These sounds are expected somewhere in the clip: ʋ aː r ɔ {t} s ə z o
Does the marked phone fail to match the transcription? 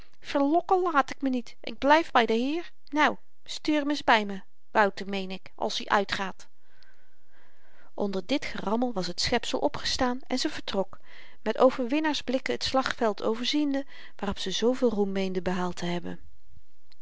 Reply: yes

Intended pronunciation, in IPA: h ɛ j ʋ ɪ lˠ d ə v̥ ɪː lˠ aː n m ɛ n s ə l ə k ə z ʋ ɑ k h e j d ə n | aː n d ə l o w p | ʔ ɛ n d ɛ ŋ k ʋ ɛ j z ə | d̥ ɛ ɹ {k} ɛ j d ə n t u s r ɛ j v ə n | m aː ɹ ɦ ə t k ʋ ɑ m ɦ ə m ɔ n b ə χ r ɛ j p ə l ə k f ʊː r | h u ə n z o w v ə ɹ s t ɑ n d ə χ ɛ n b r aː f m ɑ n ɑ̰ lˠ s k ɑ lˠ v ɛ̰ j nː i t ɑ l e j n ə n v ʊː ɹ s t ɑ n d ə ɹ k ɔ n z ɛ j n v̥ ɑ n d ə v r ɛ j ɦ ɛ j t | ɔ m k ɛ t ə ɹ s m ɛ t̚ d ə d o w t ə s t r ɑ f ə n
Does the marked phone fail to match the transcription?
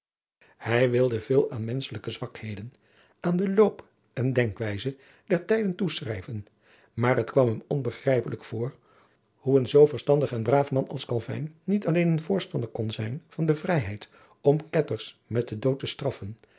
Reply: yes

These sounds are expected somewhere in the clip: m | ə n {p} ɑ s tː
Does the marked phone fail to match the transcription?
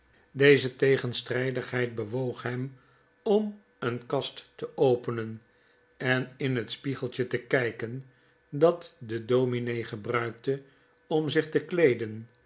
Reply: yes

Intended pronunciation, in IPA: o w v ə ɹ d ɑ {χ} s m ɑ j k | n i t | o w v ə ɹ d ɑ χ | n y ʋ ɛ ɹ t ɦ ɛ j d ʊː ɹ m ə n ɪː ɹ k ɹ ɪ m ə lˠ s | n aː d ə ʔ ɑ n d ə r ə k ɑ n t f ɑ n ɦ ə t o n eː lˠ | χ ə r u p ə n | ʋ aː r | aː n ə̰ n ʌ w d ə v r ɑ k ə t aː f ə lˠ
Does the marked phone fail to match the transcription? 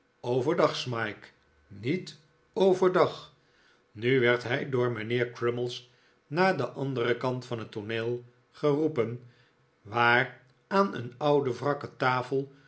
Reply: no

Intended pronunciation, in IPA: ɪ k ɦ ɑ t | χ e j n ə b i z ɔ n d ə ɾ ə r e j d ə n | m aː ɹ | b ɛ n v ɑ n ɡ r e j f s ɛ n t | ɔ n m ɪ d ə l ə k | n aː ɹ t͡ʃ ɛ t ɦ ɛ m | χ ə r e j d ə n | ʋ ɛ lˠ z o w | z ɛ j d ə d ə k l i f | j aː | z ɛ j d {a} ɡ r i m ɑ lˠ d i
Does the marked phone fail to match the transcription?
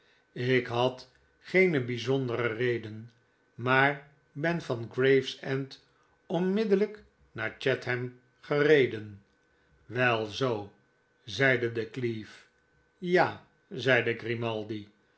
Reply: yes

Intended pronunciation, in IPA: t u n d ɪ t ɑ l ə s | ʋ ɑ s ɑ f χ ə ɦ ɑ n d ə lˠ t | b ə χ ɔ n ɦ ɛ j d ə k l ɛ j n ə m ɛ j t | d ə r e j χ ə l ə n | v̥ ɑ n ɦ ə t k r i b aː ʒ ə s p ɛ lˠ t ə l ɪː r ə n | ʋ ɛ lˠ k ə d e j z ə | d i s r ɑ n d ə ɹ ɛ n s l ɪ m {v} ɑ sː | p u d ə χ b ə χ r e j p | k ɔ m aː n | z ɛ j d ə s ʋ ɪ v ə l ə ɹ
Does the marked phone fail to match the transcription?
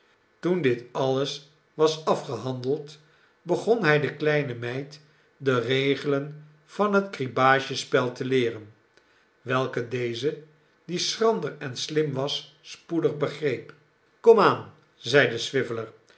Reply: yes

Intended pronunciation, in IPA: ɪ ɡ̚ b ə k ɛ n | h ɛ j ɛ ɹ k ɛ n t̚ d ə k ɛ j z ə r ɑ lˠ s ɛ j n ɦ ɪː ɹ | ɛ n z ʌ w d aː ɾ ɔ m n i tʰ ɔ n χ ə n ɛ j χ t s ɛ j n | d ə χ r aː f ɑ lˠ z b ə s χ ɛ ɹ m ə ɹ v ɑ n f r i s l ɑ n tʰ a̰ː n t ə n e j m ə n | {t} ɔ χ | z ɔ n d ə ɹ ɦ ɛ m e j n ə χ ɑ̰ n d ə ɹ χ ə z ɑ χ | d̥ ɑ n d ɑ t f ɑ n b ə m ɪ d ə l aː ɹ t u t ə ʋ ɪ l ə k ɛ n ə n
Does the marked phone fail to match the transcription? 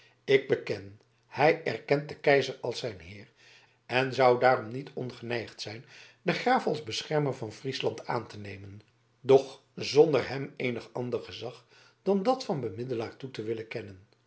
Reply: yes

